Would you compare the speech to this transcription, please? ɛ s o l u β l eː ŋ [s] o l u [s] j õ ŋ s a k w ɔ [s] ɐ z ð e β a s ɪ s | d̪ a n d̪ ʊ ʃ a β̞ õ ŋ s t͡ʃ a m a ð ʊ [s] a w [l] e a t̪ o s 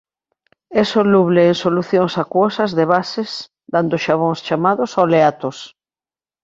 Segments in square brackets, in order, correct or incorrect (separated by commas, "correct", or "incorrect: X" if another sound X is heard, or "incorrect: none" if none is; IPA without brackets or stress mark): correct, incorrect: θ, correct, correct, correct